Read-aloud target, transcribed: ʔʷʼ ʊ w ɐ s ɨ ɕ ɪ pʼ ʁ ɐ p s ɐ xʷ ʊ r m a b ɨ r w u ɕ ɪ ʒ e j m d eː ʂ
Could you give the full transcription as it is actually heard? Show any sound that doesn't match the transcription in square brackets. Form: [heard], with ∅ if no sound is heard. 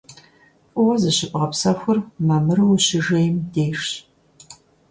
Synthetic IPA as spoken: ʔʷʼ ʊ w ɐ [z] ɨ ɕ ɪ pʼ ʁ ɐ p s ɐ xʷ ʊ r m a [m] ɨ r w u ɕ ɪ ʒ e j m d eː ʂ